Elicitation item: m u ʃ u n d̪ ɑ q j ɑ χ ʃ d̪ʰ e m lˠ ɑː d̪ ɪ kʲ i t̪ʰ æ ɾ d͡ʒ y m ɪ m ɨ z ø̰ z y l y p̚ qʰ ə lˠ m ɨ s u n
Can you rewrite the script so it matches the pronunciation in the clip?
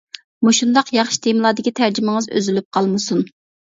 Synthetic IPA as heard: m u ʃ u n d̪ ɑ q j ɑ χ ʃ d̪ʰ e m lˠ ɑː d̪ ɪ kʲ i t̪ʰ æ ɾ d͡ʒ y m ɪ ŋ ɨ z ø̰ z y l y p̚ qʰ ɑ lˠ m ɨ s u n